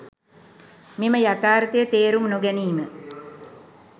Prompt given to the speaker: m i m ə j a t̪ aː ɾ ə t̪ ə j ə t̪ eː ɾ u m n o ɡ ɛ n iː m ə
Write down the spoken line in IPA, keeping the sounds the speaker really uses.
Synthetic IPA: m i m ə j a t̪ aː ɾ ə t̪ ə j ə t̪ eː ɾ u m n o ɡ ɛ n iː m ə